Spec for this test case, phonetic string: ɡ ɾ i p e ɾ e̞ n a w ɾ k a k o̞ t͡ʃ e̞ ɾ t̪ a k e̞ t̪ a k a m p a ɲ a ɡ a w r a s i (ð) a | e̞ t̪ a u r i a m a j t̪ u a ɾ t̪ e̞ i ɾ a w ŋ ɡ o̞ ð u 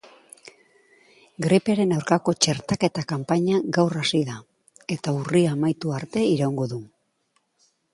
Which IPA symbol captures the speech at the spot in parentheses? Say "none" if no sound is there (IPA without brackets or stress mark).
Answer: ð